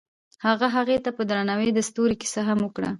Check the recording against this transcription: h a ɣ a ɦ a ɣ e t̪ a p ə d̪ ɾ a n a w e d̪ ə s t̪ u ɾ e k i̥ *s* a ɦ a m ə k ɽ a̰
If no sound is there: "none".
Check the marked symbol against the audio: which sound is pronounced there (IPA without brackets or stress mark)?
s